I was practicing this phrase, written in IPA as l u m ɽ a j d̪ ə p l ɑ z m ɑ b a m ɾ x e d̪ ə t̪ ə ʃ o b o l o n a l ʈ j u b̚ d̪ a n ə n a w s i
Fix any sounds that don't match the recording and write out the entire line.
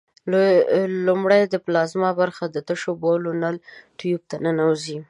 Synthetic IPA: l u m ɽ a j d̪ ə p l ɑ z m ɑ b a ɾ x a d̪ ə t̪ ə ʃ o b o l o n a l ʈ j u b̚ t̪ a n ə n a w z i